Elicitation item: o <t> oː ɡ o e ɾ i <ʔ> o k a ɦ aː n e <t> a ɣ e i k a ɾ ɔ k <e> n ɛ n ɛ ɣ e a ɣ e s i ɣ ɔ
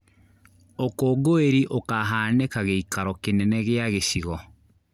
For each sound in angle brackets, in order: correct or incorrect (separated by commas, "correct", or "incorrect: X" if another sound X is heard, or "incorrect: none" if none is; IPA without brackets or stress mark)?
incorrect: k, correct, incorrect: k, correct